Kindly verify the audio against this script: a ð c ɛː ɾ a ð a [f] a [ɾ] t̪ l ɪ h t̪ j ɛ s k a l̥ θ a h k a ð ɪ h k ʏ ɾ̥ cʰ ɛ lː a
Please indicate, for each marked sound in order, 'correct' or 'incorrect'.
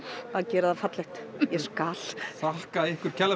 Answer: correct, incorrect

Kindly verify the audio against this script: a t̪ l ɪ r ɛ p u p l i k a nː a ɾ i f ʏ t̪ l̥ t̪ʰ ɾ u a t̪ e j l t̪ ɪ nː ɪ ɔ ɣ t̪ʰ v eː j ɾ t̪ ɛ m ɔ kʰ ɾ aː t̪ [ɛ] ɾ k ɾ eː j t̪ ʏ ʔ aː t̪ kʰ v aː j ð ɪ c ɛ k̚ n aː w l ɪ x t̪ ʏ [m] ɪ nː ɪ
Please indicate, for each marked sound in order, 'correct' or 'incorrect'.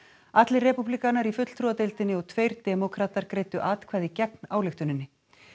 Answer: incorrect, incorrect

